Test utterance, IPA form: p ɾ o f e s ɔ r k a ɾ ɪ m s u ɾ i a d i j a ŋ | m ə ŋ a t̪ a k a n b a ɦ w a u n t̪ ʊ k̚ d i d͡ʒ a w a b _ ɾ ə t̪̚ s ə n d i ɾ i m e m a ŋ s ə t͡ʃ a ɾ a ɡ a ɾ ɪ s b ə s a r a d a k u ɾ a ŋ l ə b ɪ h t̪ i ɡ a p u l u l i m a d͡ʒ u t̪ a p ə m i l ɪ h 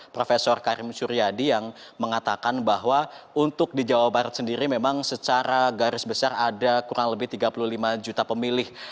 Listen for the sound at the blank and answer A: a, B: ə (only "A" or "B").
A